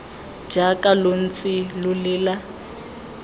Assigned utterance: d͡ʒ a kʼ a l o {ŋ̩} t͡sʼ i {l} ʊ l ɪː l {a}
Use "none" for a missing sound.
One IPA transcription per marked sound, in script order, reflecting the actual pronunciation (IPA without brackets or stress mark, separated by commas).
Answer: n̩, l, a